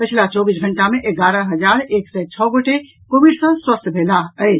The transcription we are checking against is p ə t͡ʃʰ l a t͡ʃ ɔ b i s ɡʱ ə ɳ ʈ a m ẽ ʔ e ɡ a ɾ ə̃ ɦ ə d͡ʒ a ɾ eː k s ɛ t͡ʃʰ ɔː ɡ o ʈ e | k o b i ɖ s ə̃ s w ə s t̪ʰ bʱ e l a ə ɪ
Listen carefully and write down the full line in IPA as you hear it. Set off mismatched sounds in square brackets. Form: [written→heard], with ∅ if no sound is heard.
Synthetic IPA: p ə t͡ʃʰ l a t͡ʃ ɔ b i s ɡʱ ə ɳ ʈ a m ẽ ʔ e ɡ a ɾ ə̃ ɦ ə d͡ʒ a ɾ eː k s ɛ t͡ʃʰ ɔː ɡ o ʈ e | k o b i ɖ s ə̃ s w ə s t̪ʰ bʱ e l a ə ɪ